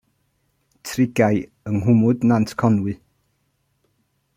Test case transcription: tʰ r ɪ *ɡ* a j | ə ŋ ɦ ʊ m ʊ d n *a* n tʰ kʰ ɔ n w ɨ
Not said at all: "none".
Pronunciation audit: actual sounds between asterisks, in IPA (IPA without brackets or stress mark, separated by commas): ɡ, a